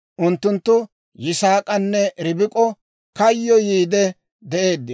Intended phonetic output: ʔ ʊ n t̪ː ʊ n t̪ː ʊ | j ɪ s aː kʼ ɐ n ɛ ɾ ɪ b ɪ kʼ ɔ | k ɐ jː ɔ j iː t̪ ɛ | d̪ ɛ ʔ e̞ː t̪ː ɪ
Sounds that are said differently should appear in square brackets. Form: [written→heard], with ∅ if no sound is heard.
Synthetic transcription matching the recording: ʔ ʊ n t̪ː ʊ n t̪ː ʊ | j ɪ s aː kʼ ɐ [n→nː] ɛ ɾ ɪ b ɪ kʼ ɔ | k ɐ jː ɔ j iː [t̪→d̪] ɛ | d̪ ɛ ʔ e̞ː [t̪ː→d̪ː] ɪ